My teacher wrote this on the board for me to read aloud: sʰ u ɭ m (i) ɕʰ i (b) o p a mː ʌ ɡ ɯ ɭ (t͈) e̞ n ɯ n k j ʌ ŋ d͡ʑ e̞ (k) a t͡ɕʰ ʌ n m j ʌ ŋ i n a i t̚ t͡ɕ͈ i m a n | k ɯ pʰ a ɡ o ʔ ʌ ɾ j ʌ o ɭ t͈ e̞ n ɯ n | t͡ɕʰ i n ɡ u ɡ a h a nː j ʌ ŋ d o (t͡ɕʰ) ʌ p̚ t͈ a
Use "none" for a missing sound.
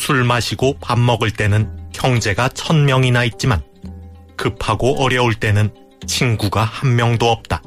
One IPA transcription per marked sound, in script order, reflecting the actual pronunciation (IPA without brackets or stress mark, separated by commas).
a, ɡ, t͈, ɡ, none